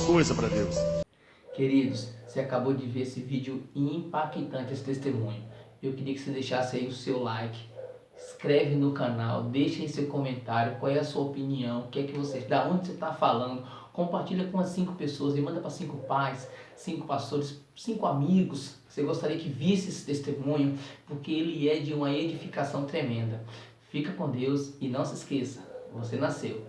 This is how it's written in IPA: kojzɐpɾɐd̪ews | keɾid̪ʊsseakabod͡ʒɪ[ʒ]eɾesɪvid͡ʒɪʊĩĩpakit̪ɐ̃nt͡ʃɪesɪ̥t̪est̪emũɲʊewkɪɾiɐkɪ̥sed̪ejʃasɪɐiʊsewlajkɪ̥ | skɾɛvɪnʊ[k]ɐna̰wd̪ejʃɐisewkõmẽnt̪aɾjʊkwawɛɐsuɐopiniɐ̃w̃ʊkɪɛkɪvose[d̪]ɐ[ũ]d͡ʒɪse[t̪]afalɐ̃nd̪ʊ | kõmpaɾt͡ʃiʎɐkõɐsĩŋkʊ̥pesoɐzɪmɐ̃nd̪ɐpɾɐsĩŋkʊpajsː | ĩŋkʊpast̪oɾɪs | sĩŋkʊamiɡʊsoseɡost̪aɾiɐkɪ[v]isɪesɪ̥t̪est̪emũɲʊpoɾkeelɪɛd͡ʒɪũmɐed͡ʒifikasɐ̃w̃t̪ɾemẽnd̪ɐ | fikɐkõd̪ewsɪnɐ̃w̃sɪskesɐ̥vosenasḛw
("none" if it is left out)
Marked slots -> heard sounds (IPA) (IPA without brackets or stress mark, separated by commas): v, k, d̪, õ, t̪, v